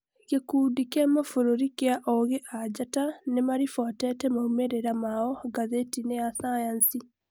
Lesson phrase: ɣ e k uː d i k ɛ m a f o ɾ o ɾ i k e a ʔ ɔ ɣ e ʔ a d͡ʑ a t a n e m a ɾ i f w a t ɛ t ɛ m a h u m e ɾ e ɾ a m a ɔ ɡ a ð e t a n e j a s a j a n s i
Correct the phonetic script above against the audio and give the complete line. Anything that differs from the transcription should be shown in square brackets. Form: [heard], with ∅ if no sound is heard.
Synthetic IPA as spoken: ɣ e k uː d i k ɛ m a f o ɾ o ɾ i k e a ʔ ɔ ɣ e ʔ a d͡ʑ a t a n e m a ɾ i f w a t ɛ t ɛ m a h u m e ɾ e ɾ a m a ɔ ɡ a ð e t [i] n e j a s a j a n s i